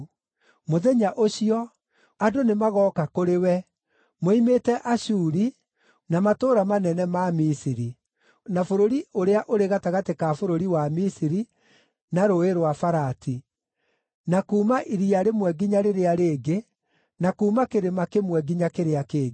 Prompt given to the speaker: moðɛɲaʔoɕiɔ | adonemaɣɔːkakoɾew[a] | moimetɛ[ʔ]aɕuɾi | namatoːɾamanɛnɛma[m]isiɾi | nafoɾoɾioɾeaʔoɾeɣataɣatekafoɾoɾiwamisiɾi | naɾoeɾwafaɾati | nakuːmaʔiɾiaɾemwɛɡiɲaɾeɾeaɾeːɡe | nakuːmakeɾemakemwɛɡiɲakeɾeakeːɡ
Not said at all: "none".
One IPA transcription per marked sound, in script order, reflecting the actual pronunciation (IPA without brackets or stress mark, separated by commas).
ɛ, ʔ, m